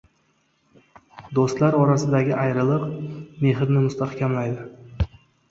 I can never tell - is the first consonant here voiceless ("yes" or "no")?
no